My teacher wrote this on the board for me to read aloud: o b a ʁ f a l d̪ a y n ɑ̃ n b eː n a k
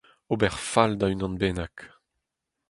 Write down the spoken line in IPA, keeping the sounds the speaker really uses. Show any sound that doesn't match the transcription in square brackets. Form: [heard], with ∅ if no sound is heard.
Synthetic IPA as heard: o b [ɛ] ʁ f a l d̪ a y n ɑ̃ n b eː n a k

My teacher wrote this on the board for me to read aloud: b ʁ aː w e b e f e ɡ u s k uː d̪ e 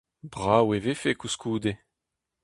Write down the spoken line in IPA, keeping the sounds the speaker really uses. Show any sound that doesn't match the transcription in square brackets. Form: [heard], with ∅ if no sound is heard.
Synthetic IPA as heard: b ʁ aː w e [v] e f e [k] u s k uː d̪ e

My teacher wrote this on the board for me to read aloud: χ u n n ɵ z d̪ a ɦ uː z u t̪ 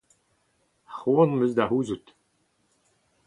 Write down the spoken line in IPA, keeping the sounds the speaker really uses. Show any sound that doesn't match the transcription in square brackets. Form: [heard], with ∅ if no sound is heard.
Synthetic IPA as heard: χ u n [m] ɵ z d̪ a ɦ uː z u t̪

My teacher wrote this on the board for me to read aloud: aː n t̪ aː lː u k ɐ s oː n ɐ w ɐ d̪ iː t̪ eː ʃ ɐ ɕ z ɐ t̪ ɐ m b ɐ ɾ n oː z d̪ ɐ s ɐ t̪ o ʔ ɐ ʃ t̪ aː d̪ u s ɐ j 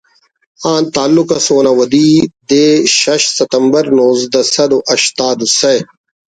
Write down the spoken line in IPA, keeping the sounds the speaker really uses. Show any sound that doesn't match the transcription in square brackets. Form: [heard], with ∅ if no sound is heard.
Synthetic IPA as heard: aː n t̪ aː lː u k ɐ s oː n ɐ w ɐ d̪ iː [d̪] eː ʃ ɐ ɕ [s] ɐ t̪ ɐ m b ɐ ɾ n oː z d̪ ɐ s ɐ [d̪] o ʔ ɐ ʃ t̪ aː d̪ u s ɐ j

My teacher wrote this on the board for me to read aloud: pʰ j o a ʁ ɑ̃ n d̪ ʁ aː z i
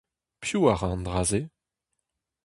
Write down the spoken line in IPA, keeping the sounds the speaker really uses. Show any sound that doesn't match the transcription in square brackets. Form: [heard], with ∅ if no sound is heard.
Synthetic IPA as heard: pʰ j [u] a ʁ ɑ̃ n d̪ ʁ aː z [e]

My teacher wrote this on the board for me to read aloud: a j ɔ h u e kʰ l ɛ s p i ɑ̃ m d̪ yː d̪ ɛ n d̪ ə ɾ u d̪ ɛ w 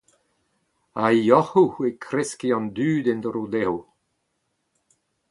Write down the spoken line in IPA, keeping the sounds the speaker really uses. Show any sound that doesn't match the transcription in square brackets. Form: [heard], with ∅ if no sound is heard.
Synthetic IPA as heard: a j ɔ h u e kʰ [ɾ] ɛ s [k] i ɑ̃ [n] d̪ yː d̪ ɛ n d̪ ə ɾ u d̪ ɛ w

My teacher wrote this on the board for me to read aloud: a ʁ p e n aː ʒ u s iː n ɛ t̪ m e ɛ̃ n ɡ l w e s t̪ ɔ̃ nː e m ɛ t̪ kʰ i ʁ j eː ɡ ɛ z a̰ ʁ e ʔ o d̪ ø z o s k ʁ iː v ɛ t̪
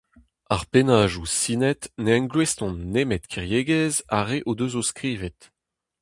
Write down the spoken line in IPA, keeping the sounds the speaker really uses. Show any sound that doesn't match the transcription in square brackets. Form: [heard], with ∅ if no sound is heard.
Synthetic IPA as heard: a ʁ p e n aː ʒ u s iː n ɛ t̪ [n] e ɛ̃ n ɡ l w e s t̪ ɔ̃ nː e m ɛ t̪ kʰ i ʁ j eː ɡ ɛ z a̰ ʁ e ʔ o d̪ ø z o s k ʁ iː v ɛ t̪

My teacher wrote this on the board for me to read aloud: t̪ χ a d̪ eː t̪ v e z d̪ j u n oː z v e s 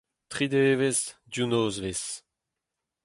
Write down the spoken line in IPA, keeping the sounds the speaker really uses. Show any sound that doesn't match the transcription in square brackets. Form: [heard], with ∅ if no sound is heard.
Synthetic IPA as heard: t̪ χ [i] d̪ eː [∅] v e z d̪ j u n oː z v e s

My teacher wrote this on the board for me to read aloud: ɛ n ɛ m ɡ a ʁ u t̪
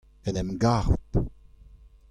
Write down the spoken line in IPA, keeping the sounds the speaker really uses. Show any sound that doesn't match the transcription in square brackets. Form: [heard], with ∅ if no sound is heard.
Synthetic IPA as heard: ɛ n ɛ m ɡ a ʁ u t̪

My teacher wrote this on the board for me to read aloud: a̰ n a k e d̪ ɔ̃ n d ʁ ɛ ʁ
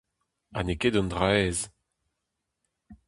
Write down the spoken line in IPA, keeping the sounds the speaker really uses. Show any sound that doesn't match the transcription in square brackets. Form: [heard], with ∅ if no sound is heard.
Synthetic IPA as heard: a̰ n [e] k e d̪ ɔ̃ n d ʁ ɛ [z]

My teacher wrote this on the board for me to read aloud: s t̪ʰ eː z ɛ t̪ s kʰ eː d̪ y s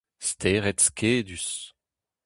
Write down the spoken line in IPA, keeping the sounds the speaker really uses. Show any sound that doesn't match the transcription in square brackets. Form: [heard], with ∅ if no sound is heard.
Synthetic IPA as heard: s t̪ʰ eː [ʁ] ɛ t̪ s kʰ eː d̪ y s

